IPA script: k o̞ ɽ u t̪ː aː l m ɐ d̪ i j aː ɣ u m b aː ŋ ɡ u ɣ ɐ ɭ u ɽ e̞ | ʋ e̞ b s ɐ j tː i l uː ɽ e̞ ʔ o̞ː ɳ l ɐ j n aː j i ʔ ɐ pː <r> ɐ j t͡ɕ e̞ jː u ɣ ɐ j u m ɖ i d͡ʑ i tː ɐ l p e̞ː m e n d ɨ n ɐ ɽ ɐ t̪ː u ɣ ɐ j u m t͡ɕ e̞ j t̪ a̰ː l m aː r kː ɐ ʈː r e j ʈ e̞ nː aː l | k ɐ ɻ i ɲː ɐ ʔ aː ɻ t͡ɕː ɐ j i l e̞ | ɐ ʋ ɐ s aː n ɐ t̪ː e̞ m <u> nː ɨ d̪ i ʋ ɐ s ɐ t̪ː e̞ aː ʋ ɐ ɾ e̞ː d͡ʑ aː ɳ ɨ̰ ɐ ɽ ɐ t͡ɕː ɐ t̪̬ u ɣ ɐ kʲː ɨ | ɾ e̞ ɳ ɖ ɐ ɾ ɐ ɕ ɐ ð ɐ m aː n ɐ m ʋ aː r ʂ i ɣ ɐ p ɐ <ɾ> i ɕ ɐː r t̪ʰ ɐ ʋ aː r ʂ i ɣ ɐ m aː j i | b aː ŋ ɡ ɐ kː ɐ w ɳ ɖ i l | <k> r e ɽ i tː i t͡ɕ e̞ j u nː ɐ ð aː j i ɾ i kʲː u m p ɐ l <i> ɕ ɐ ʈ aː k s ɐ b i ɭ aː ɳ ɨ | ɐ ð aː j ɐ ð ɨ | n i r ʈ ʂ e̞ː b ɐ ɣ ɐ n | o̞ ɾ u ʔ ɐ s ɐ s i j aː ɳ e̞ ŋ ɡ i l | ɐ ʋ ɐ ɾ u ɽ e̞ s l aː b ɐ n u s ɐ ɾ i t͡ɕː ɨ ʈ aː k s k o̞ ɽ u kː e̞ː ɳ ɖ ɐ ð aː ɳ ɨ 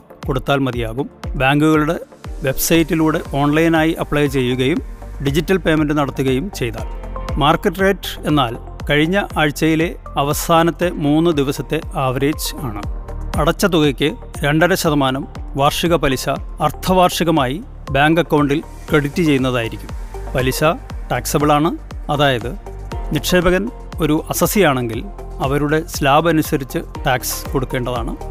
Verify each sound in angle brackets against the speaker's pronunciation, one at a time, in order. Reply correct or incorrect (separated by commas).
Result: incorrect, incorrect, incorrect, correct, correct